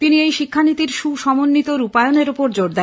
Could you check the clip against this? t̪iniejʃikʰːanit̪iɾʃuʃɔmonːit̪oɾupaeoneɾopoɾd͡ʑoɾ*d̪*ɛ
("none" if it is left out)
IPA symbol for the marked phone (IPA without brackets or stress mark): d̪